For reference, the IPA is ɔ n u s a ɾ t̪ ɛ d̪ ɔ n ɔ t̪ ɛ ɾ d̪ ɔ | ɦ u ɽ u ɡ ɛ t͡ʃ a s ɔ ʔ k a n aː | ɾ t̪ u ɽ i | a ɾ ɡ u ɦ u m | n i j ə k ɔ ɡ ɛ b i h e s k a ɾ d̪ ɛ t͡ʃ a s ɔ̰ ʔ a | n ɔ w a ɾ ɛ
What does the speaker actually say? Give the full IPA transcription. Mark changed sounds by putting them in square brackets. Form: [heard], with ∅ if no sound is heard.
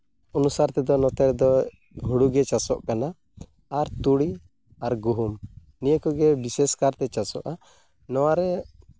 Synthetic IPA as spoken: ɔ n u s a ɾ t̪ ɛ d̪ ɔ n ɔ t̪ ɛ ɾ d̪ ɔ | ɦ u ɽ u ɡ ɛ t͡ʃ a s ɔ ʔ k a n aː | ɾ t̪ u ɽ i | a ɾ ɡ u ɦ u m | n i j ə k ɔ ɡ ɛ b i [s] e s k a ɾ [t̪] ɛ t͡ʃ a s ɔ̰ ʔ a | n ɔ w a ɾ ɛ